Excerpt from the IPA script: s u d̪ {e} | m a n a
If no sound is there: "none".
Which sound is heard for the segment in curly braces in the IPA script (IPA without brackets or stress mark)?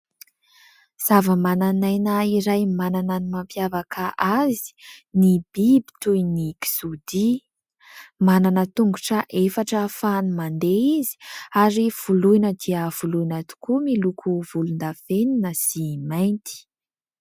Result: i